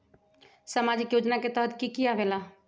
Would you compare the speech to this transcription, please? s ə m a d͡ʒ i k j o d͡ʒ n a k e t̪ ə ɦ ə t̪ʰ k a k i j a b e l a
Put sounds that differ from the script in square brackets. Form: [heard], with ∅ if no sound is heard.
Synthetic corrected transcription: s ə m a d͡ʒ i k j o d͡ʒ n a k e t̪ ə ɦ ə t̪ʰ k [i] k i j a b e l a